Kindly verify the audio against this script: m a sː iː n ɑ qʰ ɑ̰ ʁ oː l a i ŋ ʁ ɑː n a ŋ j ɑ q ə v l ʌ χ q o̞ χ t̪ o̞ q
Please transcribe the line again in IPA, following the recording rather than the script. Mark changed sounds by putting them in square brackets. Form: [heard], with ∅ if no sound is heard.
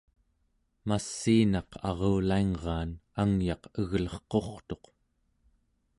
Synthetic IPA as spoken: m a sː iː n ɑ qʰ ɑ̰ ʁ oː l a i ŋ ʁ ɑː n a ŋ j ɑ q ə [ɣ] l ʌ χ q o̞ χ t̪ o̞ q